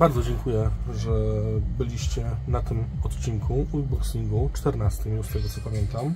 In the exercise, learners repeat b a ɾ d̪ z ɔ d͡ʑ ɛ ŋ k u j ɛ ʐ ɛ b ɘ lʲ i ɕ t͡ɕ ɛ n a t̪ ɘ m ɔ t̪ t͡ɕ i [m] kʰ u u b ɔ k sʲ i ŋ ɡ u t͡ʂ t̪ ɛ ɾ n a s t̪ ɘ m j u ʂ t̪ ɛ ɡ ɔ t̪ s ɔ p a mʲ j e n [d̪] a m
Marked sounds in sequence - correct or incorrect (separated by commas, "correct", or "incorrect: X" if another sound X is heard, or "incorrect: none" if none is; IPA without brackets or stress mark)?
incorrect: ŋ, incorrect: t̪